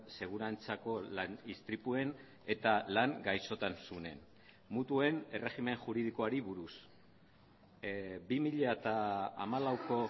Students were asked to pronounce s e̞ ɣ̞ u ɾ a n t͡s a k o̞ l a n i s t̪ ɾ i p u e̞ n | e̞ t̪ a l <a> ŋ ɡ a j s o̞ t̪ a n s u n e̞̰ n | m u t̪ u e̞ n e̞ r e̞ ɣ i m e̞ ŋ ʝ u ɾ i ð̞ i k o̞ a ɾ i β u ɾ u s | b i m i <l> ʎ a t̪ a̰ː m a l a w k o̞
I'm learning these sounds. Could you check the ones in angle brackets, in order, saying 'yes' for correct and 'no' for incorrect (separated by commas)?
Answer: yes, no